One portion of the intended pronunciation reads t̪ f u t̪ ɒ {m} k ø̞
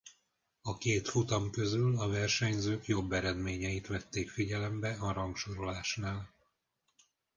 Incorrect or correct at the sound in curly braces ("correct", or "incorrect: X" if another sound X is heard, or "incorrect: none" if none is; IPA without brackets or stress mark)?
correct